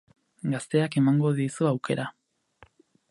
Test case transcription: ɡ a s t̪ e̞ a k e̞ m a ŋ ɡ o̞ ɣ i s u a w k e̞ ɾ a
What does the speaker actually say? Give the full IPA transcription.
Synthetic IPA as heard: ɡ a s t̪ e̞ a k e̞ m a ŋ ɡ o̞ ð i s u a w k e̞ ɾ a